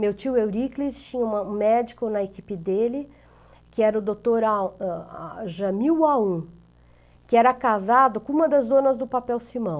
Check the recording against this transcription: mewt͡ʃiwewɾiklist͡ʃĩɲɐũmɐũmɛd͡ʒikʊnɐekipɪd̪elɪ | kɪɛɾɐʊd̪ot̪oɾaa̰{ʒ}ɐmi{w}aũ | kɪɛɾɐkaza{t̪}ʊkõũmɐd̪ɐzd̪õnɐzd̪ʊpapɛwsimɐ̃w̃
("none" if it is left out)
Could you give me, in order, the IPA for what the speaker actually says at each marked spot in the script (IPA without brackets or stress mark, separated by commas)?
ʒ, w, d̪